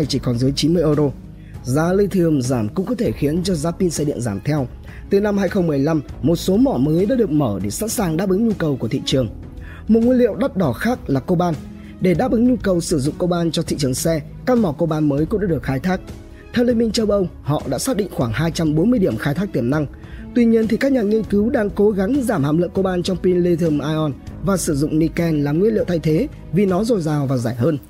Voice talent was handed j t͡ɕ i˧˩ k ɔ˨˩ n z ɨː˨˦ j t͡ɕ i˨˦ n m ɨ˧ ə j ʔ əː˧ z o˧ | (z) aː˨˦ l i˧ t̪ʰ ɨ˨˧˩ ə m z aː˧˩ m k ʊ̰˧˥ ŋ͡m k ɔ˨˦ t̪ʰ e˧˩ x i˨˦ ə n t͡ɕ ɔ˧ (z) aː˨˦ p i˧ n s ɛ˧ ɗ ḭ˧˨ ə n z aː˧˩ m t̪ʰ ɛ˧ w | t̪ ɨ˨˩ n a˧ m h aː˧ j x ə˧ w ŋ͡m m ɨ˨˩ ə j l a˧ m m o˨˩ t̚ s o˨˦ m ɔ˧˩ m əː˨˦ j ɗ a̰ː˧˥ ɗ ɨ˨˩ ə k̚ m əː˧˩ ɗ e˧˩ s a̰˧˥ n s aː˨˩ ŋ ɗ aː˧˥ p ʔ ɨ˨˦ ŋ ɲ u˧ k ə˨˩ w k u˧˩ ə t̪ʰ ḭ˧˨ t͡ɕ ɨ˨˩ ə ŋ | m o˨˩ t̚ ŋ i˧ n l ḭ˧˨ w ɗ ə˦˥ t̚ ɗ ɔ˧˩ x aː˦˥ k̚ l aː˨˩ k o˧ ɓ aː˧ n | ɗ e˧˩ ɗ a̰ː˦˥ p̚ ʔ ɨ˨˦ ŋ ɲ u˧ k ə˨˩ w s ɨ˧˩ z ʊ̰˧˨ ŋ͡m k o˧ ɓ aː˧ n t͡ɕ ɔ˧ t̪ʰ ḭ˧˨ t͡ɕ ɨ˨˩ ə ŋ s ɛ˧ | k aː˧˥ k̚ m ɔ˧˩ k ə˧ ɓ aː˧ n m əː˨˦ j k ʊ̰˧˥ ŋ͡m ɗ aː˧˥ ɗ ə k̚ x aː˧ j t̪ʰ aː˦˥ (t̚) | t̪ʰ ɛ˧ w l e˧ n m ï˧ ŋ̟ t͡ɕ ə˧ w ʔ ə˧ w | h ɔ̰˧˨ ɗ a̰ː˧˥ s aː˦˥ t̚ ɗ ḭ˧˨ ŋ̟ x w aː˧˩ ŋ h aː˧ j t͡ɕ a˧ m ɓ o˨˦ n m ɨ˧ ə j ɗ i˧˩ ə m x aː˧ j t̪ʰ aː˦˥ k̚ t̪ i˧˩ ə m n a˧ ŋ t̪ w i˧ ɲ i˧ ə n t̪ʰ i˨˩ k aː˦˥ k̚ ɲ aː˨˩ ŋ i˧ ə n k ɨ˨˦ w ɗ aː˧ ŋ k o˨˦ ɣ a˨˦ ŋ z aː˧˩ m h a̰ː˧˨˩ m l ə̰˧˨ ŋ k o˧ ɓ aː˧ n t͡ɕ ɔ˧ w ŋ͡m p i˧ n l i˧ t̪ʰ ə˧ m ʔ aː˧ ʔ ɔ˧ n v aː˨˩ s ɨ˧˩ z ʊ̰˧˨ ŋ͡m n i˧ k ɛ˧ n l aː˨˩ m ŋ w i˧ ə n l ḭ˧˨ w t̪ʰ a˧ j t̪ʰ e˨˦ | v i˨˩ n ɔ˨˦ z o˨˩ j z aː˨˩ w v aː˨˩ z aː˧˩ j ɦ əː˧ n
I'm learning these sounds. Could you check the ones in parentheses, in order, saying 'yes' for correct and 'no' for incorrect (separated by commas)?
yes, yes, no